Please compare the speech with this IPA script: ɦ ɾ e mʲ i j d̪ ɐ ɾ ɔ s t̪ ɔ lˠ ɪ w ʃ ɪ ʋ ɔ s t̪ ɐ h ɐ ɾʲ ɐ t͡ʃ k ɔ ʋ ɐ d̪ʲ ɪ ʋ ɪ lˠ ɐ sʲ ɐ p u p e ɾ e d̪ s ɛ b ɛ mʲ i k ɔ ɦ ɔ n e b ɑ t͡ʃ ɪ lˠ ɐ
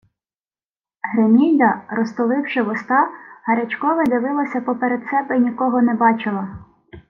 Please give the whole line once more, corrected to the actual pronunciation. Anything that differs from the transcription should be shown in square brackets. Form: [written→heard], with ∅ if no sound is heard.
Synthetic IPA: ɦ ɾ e mʲ i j d̪ ɐ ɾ ɔ s t̪ ɔ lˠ ɪ w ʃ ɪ ʋ ɔ s t̪ [ɐ→ɑ] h ɐ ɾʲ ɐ t͡ʃ k ɔ ʋ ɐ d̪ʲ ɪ ʋ ɪ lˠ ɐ sʲ ɐ p [u→ɔ] p e ɾ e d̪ s ɛ b ɛ [mʲ→nʲ] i k ɔ ɦ ɔ n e b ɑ t͡ʃ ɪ lˠ ɐ